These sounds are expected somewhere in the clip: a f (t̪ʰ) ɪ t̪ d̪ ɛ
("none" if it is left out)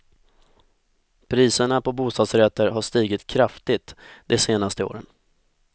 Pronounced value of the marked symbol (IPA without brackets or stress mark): t̪